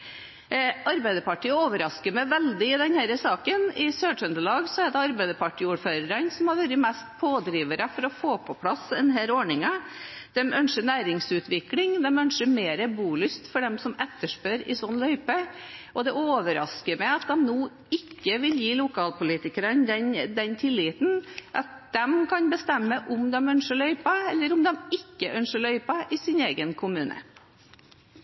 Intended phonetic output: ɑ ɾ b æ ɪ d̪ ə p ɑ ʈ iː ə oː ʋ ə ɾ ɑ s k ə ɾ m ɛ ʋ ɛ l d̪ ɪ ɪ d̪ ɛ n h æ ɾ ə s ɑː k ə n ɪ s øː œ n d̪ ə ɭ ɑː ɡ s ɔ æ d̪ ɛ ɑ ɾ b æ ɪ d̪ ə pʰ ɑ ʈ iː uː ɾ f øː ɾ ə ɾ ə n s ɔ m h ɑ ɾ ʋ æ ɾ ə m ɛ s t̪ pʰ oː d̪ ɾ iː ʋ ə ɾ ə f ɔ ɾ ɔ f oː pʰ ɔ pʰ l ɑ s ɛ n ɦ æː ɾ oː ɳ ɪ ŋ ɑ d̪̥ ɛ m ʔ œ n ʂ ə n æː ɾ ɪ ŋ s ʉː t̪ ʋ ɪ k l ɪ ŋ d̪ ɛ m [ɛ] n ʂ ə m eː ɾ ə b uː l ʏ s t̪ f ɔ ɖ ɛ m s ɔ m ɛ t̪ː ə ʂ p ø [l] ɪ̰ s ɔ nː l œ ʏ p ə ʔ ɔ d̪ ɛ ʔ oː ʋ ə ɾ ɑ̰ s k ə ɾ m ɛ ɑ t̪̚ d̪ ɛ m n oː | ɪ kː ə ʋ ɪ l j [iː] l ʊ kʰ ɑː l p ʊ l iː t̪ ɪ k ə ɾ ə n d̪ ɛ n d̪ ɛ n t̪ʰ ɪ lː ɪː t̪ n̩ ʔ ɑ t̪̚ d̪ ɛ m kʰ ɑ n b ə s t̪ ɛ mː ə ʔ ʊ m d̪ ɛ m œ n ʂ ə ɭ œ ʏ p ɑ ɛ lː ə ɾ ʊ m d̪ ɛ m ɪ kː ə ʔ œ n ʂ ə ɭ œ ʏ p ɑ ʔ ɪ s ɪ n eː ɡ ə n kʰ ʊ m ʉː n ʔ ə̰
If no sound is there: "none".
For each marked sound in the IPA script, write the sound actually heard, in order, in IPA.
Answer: œ, ɾ, iː

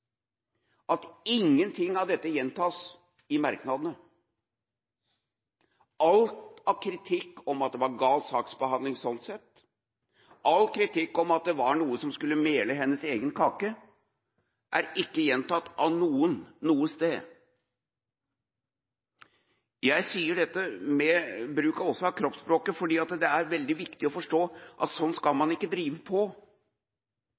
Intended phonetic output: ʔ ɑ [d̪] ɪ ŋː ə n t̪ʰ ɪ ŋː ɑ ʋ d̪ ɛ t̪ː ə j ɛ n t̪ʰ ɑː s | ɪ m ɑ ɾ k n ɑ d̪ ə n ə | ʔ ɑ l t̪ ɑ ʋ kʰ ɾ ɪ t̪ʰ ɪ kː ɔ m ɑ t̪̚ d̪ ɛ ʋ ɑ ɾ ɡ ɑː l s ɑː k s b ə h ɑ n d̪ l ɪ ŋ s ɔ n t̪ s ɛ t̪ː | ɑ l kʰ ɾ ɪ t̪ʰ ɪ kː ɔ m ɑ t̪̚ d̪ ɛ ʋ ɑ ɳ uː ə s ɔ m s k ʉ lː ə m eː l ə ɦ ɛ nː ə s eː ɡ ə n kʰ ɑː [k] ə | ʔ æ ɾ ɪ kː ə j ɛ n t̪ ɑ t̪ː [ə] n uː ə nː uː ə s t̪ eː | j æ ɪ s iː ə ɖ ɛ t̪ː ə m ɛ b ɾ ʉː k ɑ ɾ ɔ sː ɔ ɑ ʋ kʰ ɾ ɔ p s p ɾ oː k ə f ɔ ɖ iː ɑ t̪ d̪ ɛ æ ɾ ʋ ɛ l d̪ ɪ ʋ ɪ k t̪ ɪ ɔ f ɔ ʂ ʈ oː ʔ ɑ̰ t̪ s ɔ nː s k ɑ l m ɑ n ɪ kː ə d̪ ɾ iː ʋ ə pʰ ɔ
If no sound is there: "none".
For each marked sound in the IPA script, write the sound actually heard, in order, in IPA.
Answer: t̪, k, ɑ

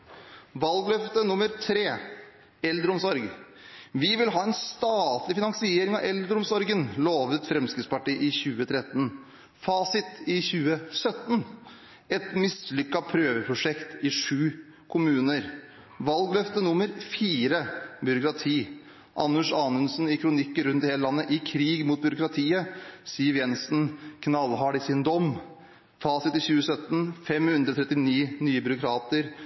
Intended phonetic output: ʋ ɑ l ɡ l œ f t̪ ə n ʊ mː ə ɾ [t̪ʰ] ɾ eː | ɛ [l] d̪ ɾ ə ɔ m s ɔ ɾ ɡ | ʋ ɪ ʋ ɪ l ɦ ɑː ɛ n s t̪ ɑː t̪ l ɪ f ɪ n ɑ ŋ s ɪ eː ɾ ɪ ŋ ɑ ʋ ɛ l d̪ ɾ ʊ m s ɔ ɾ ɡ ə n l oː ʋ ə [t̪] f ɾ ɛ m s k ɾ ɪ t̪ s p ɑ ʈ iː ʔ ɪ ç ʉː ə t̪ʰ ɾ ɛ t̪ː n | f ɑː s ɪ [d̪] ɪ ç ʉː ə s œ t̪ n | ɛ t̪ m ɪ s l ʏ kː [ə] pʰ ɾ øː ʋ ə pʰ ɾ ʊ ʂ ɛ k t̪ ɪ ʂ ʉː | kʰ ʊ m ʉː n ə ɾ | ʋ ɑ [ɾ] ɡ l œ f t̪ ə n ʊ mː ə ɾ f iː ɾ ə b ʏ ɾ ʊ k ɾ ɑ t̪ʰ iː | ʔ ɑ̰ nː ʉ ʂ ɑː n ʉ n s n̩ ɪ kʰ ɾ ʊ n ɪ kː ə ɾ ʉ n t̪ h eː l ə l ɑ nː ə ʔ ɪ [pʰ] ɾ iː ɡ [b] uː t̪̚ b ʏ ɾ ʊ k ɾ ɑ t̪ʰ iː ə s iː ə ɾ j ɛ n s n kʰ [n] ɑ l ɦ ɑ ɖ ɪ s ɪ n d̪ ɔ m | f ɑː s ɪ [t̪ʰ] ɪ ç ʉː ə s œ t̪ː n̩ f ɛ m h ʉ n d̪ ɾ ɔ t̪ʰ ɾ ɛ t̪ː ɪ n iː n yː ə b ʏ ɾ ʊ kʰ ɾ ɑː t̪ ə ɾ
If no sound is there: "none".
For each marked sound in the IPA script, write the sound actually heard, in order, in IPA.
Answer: t̪ʰ, l, t̪, t̪, ɑ, l, kʰ, m, n, t̪

